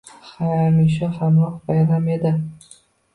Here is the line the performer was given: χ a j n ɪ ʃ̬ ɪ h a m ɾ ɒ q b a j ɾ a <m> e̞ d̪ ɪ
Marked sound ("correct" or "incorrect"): correct